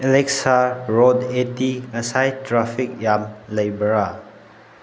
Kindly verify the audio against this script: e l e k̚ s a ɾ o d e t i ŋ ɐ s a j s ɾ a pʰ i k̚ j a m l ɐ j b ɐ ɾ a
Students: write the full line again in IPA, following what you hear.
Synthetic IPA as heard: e l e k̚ s a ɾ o d e t i ŋ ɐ s a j t ɾ a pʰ i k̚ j a m l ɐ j b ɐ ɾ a